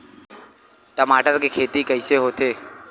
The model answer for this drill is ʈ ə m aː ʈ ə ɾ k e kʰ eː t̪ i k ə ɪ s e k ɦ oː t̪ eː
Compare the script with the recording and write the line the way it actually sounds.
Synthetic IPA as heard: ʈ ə m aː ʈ ə ɾ k e kʰ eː t̪ i k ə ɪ s e ɦ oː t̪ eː